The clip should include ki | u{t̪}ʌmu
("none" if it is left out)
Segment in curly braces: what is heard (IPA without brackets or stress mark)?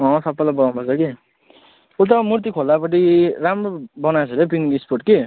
t̪